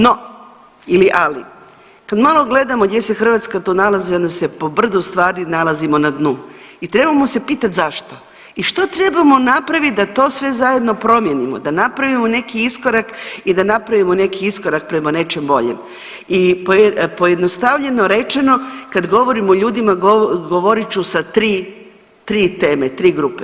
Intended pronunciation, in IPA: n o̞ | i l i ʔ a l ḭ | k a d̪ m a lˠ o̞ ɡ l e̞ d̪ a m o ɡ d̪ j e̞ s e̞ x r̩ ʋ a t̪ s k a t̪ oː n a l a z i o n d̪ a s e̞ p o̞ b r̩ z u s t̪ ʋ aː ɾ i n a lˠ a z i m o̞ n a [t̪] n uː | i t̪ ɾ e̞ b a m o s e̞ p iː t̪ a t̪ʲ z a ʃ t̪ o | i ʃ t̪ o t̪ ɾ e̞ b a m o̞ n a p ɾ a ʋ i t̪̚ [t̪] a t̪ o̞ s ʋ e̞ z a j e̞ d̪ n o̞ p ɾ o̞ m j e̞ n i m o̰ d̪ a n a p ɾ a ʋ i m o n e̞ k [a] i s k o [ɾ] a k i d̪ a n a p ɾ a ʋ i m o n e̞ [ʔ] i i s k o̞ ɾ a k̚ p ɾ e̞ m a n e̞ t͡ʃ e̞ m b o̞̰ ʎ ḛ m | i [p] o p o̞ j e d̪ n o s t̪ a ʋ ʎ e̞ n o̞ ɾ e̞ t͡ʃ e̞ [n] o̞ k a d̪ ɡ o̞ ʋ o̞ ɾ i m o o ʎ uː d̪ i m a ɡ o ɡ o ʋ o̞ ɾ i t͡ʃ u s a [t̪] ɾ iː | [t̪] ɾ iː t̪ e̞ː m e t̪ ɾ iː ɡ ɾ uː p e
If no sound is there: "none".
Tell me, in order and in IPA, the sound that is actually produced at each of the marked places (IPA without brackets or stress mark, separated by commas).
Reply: d̪, d̪, i, ɾ, k, p, n, t̪, t̪